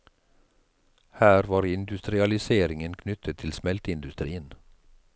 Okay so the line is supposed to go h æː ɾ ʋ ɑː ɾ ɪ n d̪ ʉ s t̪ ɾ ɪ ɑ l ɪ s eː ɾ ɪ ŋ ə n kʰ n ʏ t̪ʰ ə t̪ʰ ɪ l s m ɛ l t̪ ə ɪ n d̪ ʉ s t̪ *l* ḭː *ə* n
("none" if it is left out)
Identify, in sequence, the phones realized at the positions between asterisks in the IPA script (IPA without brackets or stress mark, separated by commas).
ɾ, ə